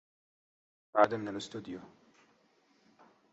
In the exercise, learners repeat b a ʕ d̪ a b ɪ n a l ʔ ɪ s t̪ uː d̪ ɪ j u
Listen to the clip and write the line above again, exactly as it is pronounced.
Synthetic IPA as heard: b a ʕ d̪ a m ɪ n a l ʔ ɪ s t̪ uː d̪ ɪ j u